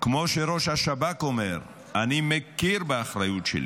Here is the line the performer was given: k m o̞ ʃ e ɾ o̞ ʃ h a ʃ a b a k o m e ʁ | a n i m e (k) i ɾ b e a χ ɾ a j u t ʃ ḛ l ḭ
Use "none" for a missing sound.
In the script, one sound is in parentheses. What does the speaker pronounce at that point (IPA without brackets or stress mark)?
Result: k